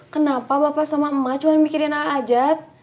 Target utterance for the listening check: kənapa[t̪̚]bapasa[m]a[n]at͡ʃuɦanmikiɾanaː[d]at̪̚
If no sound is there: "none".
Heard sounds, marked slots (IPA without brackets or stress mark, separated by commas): none, m, m, d͡ʒ